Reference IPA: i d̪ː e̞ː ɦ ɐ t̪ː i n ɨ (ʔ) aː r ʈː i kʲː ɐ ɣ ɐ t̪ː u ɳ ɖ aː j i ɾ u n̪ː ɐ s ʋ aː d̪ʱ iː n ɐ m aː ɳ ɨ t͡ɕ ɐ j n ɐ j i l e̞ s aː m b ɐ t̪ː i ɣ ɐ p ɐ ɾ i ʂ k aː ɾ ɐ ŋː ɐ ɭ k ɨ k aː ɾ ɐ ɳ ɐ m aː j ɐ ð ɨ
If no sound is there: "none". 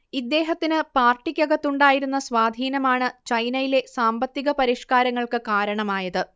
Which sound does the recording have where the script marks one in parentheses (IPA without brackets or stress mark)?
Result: p